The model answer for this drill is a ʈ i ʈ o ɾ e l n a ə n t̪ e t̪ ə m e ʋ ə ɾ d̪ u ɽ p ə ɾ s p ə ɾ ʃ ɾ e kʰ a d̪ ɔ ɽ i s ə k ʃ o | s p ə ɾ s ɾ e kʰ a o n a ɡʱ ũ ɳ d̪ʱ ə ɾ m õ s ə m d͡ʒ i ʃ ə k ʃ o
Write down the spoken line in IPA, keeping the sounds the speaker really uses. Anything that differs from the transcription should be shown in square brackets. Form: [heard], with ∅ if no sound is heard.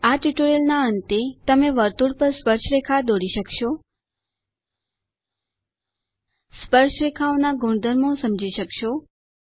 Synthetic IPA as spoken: a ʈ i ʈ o ɾ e l n a ə n t̪ e t̪ ə m e ʋ ə ɾ [t̪] u ɽ p ə ɾ s p ə ɾ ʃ ɾ e kʰ a d̪ [o] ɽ i [ʃ] ə k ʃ o | s p ə ɾ [ʃ] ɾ e kʰ a o n a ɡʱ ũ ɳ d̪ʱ ə ɾ m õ s ə m d͡ʒ i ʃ ə k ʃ o